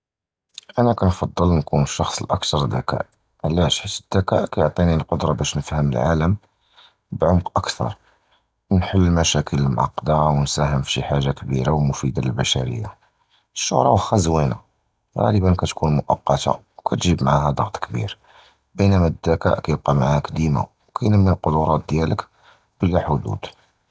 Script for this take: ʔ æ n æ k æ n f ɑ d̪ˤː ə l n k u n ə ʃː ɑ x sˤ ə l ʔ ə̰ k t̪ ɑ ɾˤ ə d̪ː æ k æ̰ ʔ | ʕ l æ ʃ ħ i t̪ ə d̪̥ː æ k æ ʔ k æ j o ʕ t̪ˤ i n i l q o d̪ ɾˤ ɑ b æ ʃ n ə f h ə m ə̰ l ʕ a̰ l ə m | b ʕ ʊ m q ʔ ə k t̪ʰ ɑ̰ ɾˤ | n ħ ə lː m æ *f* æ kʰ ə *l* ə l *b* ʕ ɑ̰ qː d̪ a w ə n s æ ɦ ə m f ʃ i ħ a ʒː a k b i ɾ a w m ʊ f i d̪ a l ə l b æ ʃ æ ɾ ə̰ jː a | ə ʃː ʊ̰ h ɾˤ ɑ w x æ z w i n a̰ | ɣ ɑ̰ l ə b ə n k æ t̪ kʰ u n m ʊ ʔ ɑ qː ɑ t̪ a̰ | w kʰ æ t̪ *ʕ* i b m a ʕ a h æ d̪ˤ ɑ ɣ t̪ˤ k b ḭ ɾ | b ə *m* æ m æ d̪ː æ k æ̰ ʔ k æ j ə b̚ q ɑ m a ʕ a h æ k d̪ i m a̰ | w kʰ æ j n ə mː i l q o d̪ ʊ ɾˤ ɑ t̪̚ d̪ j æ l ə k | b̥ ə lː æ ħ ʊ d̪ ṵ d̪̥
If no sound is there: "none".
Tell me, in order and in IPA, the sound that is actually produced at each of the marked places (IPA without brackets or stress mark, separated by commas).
ʃ, l, m, ʒ, n